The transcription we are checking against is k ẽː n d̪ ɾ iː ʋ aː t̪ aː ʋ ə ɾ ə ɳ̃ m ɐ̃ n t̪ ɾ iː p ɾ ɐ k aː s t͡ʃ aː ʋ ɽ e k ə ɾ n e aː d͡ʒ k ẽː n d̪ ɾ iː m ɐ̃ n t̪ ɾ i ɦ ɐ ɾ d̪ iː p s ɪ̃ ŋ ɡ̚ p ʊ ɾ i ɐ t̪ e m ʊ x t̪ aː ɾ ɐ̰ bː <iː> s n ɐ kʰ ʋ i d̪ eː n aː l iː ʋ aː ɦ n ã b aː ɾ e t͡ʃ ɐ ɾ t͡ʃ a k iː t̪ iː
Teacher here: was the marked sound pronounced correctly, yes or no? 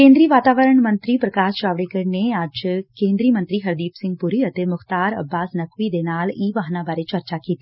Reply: no